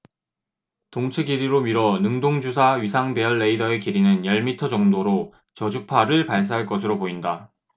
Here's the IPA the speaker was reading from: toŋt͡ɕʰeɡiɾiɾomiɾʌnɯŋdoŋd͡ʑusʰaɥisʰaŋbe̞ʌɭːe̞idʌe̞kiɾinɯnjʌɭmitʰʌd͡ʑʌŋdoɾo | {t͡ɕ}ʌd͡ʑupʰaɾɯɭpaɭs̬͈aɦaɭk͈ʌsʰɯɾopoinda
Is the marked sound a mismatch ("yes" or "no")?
no